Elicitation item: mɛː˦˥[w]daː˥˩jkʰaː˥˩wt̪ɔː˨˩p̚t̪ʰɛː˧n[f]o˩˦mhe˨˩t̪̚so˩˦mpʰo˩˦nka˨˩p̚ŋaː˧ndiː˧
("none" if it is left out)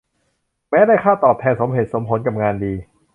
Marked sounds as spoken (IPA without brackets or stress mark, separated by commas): none, s